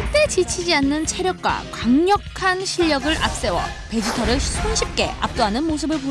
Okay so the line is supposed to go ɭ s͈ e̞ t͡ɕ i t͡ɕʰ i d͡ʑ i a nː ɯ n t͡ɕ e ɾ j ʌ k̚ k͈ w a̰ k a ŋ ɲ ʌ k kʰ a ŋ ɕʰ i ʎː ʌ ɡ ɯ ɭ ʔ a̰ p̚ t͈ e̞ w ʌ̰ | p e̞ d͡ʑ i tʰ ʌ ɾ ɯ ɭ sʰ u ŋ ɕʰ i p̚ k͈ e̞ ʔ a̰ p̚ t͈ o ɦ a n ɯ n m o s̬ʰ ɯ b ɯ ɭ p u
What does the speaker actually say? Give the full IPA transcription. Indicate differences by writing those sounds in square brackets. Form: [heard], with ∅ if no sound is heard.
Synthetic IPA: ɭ [t͈] e̞ t͡ɕ i t͡ɕʰ i d͡ʑ i a nː ɯ n [t͡ɕʰ] e ɾ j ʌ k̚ k͈ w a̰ k a ŋ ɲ ʌ k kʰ a [n] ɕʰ i ʎː ʌ ɡ ɯ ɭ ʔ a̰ p̚ [s͈] e̞ w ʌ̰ | p e̞ d͡ʑ i tʰ ʌ ɾ ɯ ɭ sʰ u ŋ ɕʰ i p̚ k͈ e̞ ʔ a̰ p̚ t͈ o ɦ a n ɯ n m o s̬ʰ ɯ b ɯ ɭ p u

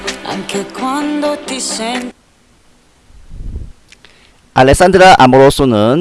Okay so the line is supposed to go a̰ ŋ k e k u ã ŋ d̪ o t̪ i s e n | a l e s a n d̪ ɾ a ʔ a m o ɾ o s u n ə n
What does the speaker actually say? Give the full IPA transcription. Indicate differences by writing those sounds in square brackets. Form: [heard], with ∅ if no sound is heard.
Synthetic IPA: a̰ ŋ k e k [w] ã [n] d̪ o t̪ i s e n | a l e s a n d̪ ɾ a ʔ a m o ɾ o s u n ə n

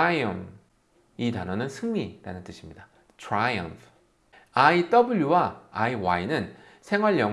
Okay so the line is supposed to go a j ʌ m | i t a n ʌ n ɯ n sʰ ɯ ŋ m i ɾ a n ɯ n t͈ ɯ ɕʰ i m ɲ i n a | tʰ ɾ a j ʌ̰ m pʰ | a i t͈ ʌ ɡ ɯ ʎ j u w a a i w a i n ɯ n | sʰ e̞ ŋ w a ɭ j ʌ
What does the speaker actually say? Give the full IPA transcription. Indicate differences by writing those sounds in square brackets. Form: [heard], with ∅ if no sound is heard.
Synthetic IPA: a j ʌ m | i t a n ʌ n ɯ n sʰ ɯ ŋ m i ɾ a n ɯ n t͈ ɯ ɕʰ i m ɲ i [d] a | tʰ ɾ a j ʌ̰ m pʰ | a i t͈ ʌ [b] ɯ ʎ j u w a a i w a i n ɯ n | sʰ e̞ ŋ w a ɭ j ʌ

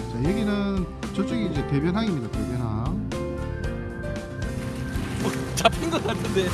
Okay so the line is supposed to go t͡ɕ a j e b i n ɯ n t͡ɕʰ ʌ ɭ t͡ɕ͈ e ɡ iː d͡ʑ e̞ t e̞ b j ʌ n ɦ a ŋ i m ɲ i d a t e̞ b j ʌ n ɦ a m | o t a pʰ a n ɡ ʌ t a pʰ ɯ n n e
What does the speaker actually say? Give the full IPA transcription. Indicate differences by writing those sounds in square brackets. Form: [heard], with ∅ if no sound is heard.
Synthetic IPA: t͡ɕ a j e [ɡ] i n ɯ n [t͡ɕ] ʌ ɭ t͡ɕ͈ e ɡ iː d͡ʑ e̞ t e̞ b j ʌ n ɦ a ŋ i m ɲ i d a t e̞ b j ʌ n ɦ a [ŋ] | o [t͡ɕ] a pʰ [i] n ɡ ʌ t a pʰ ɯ n [d] e

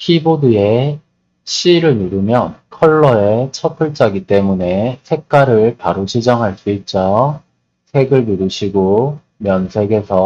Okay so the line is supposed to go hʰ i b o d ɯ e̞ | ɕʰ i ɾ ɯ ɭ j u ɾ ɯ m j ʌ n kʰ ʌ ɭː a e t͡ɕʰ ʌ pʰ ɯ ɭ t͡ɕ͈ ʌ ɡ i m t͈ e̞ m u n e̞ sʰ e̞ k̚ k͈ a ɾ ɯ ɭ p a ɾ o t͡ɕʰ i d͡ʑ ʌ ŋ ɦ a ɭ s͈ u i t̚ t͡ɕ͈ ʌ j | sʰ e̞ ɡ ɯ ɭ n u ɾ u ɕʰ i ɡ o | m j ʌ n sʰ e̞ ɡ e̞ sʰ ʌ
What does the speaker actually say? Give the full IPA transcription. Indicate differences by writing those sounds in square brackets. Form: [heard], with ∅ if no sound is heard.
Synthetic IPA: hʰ i b o d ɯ e̞ | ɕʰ i ɾ ɯ ɭ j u ɾ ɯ m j ʌ n kʰ ʌ ɭː [ʌ] e t͡ɕʰ ʌ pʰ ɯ ɭ t͡ɕ͈ [a] ɡ i [∅] t͈ e̞ m u n e̞ sʰ e̞ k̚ k͈ a ɾ ɯ ɭ p a ɾ o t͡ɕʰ i d͡ʑ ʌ ŋ ɦ a ɭ s͈ u i t̚ t͡ɕ͈ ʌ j | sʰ e̞ ɡ ɯ ɭ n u ɾ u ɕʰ i ɡ o | m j ʌ n sʰ e̞ ɡ e̞ sʰ ʌ

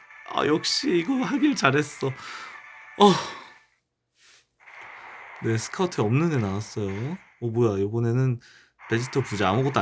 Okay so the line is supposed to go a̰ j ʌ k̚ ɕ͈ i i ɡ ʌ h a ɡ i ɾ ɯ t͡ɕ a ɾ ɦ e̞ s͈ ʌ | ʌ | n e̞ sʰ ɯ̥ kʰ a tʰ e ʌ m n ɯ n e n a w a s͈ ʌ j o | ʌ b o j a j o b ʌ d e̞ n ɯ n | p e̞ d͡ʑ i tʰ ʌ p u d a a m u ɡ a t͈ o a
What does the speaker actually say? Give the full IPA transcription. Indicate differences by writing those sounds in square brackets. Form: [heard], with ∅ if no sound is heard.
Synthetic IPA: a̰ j ʌ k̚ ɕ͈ i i ɡ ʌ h a ɡ i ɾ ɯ t͡ɕ a ɾ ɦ e̞ s͈ ʌ | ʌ | n e̞ sʰ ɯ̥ kʰ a tʰ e ʌ m n ɯ n e n a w a s͈ ʌ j o | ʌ b o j a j o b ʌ [n] e̞ n ɯ n | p e̞ d͡ʑ i tʰ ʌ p u [d͡ʑ] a a m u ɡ [ʌ] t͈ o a

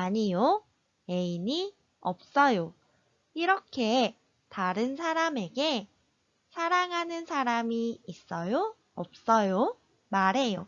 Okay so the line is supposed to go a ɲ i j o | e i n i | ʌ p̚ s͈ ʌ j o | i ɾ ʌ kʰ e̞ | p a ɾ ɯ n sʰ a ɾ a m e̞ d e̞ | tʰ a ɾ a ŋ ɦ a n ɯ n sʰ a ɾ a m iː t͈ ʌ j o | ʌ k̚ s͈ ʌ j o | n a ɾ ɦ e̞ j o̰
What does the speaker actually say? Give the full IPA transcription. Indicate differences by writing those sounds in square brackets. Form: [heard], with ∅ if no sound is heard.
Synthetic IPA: a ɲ i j o | e i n i | ʌ p̚ s͈ ʌ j o | i ɾ ʌ kʰ e̞ | [t] a ɾ ɯ n sʰ a ɾ a m e̞ [ɡ] e̞ | [sʰ] a ɾ a ŋ ɦ a n ɯ n sʰ a ɾ a m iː [s͈] ʌ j o | ʌ [p̚] s͈ ʌ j o | [m] a ɾ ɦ e̞ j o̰

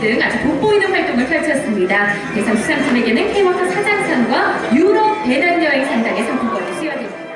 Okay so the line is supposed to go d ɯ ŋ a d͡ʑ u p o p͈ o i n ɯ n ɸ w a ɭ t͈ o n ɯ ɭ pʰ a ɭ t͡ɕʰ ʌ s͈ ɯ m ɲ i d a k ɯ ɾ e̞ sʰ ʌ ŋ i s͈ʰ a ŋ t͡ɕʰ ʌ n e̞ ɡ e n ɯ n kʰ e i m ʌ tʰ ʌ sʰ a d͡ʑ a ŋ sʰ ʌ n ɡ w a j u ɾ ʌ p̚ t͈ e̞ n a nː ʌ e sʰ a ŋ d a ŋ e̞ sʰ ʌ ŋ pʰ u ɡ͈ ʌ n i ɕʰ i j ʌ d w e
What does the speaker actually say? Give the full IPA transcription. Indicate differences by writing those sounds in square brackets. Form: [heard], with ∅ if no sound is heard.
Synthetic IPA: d ɯ ŋ a d͡ʑ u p o p͈ o i n ɯ n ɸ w a ɭ t͈ o [ŋ] ɯ ɭ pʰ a ɭ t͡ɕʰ ʌ s͈ ɯ m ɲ i d a k ɯ ɾ e̞ sʰ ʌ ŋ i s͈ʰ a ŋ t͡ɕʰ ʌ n e̞ ɡ e n ɯ n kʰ e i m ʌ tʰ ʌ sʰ a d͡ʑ a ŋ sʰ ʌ n ɡ w a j u ɾ ʌ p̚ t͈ e̞ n a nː ʌ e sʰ a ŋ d a ŋ e̞ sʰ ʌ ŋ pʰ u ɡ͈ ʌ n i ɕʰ i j ʌ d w e

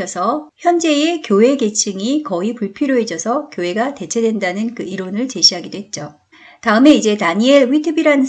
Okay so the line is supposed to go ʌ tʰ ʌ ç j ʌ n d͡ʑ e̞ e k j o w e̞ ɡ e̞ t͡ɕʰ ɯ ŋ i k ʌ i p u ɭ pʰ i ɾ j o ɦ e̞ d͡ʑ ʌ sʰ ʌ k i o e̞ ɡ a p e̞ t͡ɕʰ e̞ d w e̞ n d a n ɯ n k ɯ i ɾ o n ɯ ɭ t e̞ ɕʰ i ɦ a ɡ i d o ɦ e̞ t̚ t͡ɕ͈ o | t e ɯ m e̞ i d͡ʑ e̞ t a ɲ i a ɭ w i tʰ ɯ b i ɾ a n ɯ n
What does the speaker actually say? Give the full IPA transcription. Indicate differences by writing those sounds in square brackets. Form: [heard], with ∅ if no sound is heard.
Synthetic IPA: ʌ [sʰ] ʌ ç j ʌ n d͡ʑ e̞ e k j o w e̞ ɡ e̞ t͡ɕʰ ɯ ŋ i k ʌ i p u ɭ pʰ i ɾ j o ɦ e̞ d͡ʑ ʌ sʰ ʌ k [j] o e̞ ɡ a [t] e̞ t͡ɕʰ e̞ d w e̞ n d a n ɯ n k ɯ i ɾ o n ɯ ɭ [t͡ɕ] e̞ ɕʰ i ɦ a ɡ i d o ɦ e̞ t̚ t͡ɕ͈ o | t [a] ɯ m e̞ i d͡ʑ e̞ t a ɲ i [e] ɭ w i tʰ ɯ b i ɾ a n ɯ n

